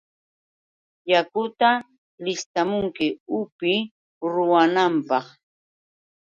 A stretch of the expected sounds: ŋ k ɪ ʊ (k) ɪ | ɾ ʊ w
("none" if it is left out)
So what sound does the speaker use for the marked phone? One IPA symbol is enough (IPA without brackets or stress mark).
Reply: p